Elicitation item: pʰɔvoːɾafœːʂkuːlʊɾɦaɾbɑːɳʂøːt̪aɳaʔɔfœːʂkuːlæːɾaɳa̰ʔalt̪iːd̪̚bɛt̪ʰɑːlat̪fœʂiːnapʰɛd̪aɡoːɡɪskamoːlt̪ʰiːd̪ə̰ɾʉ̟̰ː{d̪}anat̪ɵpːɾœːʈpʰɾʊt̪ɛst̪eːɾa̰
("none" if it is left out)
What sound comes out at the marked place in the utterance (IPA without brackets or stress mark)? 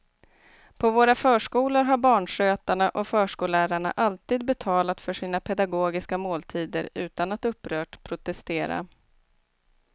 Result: t̪